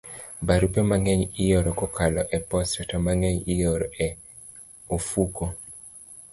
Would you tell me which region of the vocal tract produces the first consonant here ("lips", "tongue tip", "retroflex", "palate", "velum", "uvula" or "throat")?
lips